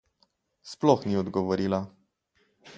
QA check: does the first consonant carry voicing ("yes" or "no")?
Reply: no